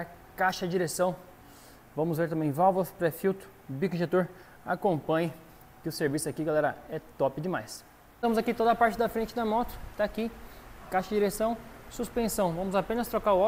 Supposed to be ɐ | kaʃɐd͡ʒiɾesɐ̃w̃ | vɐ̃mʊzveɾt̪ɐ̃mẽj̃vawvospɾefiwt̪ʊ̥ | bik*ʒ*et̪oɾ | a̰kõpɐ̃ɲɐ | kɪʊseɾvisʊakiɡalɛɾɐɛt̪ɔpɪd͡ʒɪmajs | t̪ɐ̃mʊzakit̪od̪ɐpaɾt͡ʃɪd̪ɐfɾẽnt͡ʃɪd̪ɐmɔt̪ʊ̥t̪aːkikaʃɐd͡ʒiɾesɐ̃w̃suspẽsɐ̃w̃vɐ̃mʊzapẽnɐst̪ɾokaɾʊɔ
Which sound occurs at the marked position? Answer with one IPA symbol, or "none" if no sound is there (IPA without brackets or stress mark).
ʒ